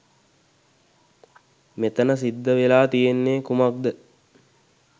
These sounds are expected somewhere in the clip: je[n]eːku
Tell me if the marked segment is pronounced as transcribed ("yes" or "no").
no